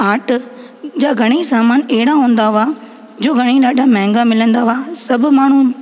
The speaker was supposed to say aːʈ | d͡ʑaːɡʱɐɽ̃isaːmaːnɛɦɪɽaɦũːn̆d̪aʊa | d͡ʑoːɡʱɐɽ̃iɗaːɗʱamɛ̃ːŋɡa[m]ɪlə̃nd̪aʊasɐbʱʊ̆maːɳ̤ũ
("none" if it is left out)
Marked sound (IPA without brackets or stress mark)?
m